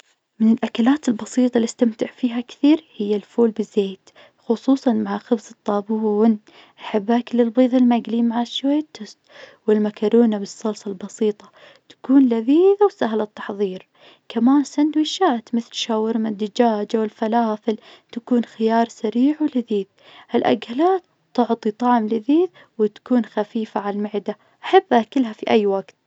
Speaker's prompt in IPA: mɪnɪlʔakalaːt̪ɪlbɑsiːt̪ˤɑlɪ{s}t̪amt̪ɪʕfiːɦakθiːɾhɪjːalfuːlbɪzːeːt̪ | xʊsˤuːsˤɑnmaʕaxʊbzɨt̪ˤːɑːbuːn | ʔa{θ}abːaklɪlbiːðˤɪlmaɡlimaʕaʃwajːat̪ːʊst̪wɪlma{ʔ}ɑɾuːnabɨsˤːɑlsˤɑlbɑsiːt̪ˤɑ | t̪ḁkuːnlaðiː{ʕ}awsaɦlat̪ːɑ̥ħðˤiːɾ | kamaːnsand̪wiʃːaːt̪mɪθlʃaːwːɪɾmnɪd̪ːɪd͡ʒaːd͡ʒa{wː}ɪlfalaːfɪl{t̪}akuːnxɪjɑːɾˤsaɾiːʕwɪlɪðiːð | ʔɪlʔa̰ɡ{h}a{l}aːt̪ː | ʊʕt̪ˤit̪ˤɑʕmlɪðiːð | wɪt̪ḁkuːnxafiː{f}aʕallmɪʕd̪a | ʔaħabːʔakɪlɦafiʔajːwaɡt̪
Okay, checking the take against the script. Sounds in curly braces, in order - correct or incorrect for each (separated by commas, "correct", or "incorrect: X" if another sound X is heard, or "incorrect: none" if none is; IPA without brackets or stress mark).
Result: correct, incorrect: ħ, incorrect: k, incorrect: ð, incorrect: w, correct, correct, correct, correct